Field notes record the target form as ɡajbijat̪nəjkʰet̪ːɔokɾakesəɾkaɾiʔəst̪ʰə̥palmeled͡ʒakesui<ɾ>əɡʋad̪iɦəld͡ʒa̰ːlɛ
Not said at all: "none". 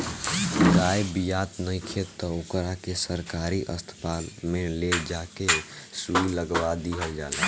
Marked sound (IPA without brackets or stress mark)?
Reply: l